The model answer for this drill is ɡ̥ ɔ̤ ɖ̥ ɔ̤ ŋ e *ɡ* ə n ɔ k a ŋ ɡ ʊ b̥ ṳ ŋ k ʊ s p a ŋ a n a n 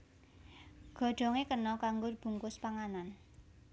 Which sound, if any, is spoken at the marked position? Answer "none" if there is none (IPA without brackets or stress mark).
k